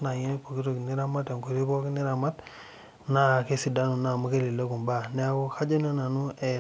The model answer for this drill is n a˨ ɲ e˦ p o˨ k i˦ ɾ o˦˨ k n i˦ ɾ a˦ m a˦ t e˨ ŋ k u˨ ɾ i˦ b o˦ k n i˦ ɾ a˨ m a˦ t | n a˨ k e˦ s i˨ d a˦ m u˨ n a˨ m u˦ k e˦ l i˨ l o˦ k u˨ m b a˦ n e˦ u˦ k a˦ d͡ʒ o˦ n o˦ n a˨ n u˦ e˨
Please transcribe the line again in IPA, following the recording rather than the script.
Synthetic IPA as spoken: n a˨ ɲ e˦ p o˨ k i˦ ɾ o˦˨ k n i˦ ɾ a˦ m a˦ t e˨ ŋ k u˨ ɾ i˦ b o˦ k n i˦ ɾ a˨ m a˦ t | n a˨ k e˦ s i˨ d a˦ n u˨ n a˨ m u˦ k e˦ l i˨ l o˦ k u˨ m b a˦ n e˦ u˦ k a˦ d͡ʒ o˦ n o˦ n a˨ n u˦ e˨